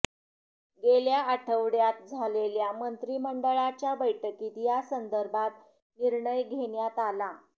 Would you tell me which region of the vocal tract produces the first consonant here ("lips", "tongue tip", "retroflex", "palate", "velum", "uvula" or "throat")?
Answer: velum